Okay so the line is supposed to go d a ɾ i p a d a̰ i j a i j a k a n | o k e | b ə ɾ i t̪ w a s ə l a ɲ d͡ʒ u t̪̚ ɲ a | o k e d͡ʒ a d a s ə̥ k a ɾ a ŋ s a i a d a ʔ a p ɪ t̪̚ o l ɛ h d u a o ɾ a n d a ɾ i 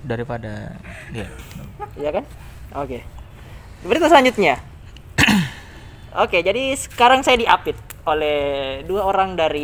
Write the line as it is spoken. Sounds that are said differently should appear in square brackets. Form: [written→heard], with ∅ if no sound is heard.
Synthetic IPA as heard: d a ɾ i p a d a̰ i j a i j a k a n | o k e | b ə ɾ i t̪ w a s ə l a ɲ d͡ʒ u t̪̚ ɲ a | o k e d͡ʒ a d [a→i] s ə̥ k a ɾ a ŋ s a [i→j] a d [a→i] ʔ a p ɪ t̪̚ o l ɛ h d u a o ɾ a [n→ŋ] d a ɾ i